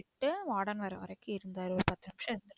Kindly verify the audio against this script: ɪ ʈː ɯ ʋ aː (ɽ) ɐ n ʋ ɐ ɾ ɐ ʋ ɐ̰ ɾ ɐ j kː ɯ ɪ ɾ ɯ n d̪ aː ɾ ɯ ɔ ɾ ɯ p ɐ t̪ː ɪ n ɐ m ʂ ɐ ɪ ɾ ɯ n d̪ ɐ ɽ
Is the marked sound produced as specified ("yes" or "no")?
yes